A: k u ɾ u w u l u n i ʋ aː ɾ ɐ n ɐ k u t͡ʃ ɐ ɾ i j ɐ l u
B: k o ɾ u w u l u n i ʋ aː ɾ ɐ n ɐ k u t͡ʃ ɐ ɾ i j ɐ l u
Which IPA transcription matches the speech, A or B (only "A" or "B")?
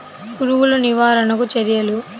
A